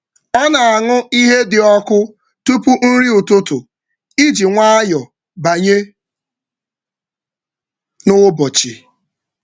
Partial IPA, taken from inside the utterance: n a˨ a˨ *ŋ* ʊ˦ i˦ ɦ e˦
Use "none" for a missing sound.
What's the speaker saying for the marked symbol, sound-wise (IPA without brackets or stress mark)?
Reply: ŋ